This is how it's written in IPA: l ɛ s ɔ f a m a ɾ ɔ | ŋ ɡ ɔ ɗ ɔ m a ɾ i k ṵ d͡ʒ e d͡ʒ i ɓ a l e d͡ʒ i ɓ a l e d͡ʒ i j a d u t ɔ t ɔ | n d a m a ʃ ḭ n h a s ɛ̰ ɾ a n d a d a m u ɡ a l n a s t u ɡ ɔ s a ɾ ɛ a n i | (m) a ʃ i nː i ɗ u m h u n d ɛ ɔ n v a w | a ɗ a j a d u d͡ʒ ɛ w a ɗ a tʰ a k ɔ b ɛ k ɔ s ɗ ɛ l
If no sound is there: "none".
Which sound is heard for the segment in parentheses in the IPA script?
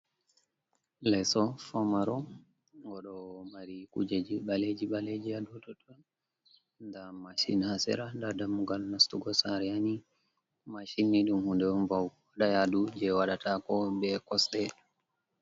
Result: m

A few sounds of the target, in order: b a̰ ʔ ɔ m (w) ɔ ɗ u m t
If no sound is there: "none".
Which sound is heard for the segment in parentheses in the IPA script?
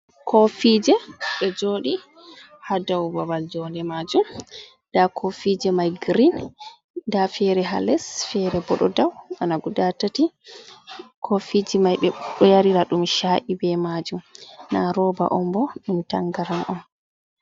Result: b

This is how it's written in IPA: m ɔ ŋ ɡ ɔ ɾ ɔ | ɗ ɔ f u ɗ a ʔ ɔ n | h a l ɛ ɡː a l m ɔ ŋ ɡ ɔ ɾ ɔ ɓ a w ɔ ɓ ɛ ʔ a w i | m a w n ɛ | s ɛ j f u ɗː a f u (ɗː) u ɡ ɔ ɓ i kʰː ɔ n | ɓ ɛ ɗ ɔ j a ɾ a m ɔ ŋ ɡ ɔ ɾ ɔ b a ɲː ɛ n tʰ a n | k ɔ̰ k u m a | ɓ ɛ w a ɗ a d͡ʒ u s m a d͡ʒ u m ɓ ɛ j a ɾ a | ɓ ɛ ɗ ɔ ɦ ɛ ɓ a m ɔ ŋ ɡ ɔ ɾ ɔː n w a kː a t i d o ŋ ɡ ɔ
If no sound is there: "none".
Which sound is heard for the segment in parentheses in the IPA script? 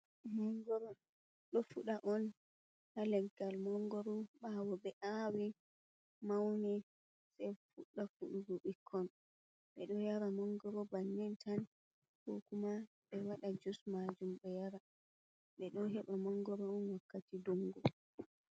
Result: ɗ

